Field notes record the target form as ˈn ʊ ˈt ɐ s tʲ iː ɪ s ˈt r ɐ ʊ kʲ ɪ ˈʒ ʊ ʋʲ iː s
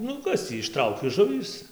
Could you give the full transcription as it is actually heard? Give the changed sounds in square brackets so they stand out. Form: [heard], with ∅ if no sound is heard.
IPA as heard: ˈn ʊ [ˈk] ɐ s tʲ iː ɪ [ʃ] ˈt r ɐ ʊ kʲ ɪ ˈʒ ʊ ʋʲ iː s

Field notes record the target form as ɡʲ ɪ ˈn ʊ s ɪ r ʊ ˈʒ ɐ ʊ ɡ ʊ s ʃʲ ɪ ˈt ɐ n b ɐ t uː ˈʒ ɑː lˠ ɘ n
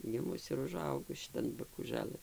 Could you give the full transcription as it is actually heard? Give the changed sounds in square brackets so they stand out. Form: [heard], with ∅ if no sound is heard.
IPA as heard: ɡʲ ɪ [ˈm] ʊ s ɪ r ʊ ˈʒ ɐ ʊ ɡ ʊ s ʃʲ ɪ ˈt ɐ n b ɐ [k] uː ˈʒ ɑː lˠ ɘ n

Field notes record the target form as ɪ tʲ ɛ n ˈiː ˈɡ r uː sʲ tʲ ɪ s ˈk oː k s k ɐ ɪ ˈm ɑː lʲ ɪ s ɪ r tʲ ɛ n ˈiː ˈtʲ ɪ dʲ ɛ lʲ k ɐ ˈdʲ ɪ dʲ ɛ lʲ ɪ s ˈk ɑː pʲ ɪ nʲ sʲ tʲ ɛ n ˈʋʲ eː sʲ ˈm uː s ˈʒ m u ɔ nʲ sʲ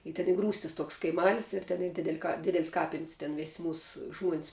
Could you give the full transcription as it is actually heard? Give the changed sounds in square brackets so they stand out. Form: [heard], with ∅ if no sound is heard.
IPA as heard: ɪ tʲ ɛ n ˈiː ˈɡ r uː sʲ tʲ ɪ s [ˈt] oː k s k ɐ ɪ ˈm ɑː lʲ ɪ s ɪ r tʲ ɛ n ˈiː [ˈdʲ] ɪ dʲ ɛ lʲ k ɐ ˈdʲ ɪ dʲ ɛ lʲ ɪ s ˈk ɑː pʲ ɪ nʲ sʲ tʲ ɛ n ˈʋʲ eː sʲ ˈm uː s ˈʒ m u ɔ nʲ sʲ

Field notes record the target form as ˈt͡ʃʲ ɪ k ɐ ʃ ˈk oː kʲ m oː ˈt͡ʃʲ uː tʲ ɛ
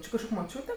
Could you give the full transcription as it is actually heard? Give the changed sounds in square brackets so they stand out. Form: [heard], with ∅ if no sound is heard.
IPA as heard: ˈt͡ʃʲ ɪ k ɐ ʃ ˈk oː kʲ m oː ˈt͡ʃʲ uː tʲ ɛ

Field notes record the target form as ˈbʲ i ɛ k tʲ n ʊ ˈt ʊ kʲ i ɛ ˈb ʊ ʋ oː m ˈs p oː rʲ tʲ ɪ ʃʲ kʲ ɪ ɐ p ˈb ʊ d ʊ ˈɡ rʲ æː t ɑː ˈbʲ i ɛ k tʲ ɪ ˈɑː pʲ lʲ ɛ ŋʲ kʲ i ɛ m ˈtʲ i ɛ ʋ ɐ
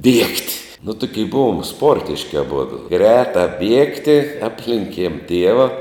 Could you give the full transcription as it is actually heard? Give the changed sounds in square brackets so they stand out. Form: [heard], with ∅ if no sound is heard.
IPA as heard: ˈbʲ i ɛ k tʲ n ʊ ˈt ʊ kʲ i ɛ ˈb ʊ ʋ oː m ˈs p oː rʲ tʲ ɪ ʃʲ kʲ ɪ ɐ [∅] ˈb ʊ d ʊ ˈɡ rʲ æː t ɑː ˈbʲ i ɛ k tʲ ɪ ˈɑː pʲ lʲ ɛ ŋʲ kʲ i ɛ m ˈtʲ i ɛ ʋ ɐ

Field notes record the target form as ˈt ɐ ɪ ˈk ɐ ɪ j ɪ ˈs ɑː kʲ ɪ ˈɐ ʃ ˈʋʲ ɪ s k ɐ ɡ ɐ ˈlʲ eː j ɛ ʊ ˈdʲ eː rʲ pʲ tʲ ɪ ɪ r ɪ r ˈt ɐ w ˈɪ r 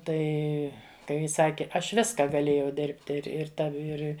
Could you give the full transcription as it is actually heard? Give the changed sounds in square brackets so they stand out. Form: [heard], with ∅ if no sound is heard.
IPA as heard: ˈt ɐ ɪ ˈk ɐ ɪ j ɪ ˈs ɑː kʲ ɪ ˈɐ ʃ ˈʋʲ ɪ s k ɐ ɡ ɐ ˈlʲ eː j ɛ ʊ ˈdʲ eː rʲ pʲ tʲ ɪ ɪ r ɪ r ˈt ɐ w ˈɪ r

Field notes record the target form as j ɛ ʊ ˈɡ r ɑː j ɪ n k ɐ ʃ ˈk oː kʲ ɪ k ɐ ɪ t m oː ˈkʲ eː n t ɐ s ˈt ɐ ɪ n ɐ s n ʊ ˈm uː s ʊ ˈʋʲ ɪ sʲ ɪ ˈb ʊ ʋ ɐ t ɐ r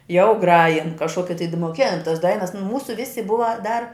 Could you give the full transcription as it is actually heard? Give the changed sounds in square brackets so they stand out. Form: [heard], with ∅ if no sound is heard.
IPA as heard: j ɛ ʊ ˈɡ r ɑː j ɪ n k ɐ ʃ ˈk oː kʲ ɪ [t] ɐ ɪ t m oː ˈkʲ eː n t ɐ s [ˈd] ɐ ɪ n ɐ s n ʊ ˈm uː s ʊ ˈʋʲ ɪ sʲ ɪ ˈb ʊ ʋ ɐ [d] ɐ r

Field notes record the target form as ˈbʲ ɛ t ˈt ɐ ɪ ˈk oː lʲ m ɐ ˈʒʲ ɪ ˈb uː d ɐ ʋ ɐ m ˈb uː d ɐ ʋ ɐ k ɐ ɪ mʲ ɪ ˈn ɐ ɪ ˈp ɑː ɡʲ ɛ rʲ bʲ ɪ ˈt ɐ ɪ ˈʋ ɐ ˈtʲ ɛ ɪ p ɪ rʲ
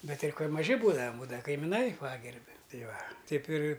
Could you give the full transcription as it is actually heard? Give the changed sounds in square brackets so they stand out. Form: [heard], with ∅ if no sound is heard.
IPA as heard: ˈbʲ ɛ t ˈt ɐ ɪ ˈk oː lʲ m ɐ ˈʒʲ ɪ ˈb uː d ɐ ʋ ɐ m ˈb uː d ɐ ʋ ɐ k ɐ ɪ mʲ ɪ ˈn ɐ ɪ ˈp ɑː ɡʲ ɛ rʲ bʲ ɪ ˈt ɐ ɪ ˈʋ ɐ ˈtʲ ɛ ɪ p ɪ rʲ

